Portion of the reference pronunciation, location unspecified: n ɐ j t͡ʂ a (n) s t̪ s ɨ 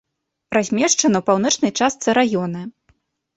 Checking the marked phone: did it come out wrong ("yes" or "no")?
yes